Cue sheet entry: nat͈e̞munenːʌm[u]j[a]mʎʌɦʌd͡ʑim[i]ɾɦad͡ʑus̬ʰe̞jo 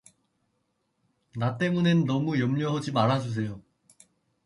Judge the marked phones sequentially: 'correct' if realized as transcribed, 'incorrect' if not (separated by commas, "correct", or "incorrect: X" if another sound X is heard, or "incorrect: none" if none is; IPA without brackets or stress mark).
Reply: correct, incorrect: ʌ, incorrect: a